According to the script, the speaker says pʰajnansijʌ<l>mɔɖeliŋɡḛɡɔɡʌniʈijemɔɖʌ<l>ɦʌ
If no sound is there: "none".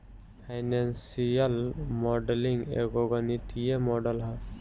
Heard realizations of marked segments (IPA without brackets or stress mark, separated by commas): l, l